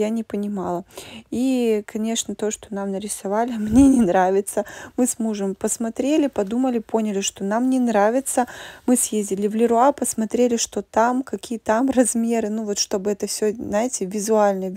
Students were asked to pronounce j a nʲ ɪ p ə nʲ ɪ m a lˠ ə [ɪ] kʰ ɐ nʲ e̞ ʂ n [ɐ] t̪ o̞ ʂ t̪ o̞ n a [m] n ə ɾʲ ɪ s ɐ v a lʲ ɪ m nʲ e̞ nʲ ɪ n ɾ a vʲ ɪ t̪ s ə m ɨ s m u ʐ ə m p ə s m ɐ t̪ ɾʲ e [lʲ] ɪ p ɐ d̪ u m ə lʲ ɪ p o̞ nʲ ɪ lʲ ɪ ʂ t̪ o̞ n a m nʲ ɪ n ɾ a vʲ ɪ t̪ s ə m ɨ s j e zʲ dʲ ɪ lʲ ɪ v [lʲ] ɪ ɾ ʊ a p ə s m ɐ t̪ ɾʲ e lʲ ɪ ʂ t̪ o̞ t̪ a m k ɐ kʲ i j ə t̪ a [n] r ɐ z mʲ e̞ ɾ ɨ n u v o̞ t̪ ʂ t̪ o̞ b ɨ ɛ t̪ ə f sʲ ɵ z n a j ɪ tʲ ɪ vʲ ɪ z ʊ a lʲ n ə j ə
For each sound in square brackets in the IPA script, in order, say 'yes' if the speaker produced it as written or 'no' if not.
no, no, yes, yes, yes, no

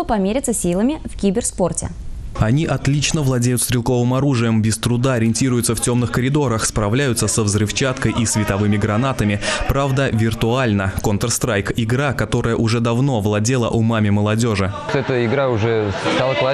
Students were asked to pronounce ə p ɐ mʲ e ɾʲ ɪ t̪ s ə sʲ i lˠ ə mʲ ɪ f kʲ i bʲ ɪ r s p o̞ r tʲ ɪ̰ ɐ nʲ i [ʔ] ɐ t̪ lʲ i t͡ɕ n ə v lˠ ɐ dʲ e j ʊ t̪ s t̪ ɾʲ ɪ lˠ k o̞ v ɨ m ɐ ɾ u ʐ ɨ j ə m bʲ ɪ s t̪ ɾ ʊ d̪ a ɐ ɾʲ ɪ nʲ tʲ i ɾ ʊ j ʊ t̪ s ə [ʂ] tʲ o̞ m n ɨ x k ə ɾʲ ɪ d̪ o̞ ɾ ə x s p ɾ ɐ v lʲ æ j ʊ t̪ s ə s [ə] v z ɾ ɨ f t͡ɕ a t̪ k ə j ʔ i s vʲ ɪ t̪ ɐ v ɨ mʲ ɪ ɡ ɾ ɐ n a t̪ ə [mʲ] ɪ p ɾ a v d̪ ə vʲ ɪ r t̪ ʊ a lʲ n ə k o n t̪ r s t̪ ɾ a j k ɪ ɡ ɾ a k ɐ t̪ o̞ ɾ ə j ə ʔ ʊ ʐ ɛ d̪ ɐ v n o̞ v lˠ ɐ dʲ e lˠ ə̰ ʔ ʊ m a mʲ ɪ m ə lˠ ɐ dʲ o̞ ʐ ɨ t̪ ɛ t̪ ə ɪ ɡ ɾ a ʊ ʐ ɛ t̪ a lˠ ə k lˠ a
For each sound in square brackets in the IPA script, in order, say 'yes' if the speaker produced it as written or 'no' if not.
yes, no, yes, yes

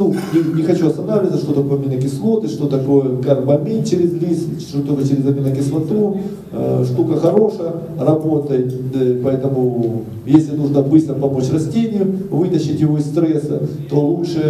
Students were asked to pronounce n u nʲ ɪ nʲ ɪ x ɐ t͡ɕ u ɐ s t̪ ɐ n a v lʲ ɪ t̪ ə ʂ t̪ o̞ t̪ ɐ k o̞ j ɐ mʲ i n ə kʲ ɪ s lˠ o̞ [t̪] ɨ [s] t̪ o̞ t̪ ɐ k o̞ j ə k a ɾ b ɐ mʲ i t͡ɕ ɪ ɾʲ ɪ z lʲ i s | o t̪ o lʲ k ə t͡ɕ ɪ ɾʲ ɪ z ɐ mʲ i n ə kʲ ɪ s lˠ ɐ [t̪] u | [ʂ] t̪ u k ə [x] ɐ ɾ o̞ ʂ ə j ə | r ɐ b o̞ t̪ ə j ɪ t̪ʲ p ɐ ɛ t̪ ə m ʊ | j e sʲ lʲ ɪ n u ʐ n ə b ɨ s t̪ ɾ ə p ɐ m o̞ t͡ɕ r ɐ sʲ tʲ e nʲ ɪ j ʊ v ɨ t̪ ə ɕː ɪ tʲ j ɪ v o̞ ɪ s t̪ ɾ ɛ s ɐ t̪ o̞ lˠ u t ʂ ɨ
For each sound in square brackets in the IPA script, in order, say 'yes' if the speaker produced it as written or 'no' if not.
yes, no, yes, yes, yes

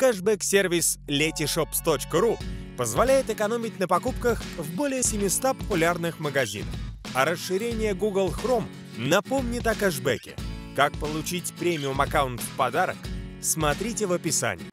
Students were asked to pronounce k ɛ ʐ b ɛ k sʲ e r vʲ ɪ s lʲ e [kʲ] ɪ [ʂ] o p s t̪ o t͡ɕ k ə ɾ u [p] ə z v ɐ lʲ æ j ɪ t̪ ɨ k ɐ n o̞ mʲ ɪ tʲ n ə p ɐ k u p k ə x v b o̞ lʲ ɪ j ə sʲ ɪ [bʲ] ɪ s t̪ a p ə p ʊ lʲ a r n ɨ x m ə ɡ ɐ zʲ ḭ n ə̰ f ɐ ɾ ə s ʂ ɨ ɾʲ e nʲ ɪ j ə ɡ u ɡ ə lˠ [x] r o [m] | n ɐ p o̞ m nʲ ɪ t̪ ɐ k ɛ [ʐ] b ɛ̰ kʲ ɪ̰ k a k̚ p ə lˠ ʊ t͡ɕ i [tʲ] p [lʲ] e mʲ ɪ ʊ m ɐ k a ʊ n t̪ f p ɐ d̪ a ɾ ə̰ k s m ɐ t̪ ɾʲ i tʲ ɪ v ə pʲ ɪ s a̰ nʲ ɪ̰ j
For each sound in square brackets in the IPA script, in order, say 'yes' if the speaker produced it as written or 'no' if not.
no, yes, yes, no, yes, yes, yes, yes, no

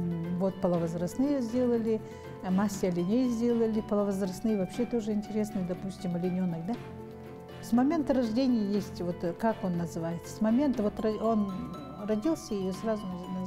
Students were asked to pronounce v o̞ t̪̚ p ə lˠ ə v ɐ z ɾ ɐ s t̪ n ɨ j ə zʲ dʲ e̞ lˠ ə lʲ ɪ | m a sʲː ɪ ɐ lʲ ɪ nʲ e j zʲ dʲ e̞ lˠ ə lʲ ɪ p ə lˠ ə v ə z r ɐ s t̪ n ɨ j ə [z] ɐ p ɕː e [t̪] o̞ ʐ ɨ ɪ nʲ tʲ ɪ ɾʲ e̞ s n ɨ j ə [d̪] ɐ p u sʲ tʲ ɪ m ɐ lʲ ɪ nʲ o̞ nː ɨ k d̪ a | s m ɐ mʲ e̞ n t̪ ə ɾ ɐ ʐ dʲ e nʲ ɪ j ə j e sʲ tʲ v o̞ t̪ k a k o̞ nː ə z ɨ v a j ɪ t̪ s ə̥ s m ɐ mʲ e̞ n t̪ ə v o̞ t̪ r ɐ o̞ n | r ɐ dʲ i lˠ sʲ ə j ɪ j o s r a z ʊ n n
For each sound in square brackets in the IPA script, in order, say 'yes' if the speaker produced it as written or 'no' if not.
no, yes, yes

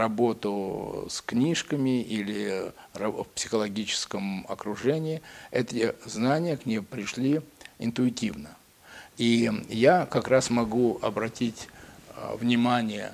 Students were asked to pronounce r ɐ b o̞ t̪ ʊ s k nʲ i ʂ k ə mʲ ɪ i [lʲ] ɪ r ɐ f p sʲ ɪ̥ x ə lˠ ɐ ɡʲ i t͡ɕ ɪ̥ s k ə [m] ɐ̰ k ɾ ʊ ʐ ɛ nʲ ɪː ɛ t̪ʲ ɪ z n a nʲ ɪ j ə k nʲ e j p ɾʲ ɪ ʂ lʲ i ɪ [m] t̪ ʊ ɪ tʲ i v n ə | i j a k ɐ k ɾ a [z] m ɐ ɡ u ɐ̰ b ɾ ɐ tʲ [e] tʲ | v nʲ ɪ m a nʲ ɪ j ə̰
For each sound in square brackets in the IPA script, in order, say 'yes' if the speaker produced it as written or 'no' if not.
yes, yes, no, no, no

